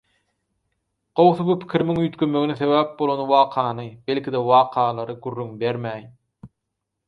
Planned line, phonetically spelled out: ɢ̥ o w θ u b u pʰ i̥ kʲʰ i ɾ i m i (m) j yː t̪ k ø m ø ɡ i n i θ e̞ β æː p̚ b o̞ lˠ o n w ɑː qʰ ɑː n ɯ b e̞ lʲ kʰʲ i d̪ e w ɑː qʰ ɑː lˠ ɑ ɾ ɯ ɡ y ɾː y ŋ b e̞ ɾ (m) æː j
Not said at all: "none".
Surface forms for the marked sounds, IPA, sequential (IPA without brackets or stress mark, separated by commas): ŋ, m